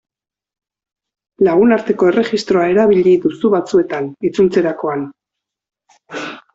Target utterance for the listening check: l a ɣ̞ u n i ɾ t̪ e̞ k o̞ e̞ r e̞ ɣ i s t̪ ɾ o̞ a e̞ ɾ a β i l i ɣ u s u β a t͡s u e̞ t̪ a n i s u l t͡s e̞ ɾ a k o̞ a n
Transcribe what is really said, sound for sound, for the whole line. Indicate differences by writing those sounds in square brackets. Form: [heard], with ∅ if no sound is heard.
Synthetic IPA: l a ɣ̞ u n [a] ɾ t̪ e̞ k o̞ e̞ r e̞ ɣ i s t̪ ɾ o̞ a e̞ ɾ a β i [ʎ] i [ð] u s u β a t͡s u e̞ t̪ a n i [t͡s] u l t͡s e̞ ɾ a k o̞ a n